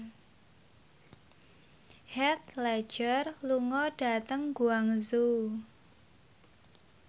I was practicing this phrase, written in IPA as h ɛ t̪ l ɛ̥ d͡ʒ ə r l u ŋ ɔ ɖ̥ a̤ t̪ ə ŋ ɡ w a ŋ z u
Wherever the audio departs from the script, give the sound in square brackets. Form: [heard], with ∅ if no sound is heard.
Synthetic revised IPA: h ɛ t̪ l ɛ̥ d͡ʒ ə r l u ŋ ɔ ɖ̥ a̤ t̪ ə ŋ ɡ [u] a ŋ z u